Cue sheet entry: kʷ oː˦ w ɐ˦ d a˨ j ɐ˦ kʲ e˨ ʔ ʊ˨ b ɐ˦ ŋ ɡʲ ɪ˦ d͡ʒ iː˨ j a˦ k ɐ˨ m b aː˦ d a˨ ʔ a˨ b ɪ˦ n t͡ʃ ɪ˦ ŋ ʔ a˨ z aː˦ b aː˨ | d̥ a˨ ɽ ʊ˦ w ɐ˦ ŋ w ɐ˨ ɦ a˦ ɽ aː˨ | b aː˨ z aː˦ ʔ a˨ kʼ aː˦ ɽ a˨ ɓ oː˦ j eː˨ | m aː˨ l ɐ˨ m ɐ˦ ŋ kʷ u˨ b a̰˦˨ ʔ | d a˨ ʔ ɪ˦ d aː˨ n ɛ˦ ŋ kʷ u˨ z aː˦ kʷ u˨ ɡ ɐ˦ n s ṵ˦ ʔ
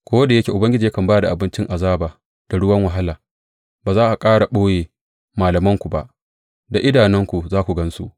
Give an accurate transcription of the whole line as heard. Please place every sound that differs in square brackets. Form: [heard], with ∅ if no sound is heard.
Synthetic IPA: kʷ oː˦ w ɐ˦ d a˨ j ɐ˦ kʲ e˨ ʔ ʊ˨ b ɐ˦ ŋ ɡʲ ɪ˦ d͡ʒ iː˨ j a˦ k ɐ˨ m b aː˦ d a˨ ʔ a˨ b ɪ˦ n t͡ʃ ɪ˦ ŋ ʔ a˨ z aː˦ b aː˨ | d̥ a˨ ɽ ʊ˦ w ɐ˦ ŋ w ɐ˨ ɦ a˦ [l] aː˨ | b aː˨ z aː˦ ʔ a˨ kʼ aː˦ ɽ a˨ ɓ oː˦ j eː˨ | m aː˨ l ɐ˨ m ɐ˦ ŋ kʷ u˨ b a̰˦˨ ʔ | d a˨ ʔ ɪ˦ d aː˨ n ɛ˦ ŋ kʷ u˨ z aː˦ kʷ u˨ ɡ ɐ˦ n s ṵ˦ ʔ